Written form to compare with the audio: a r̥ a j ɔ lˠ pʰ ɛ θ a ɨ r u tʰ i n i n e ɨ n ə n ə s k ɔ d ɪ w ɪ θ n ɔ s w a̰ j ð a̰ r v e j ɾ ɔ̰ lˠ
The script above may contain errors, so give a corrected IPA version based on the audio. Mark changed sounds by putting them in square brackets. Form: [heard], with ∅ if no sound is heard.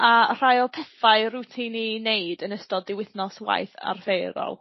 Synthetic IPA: a r̥ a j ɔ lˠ pʰ ɛ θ a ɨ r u tʰ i n i n e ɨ [d] ə n ə s [t] ɔ d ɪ w ɪ θ n ɔ s w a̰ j [θ] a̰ r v e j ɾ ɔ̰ lˠ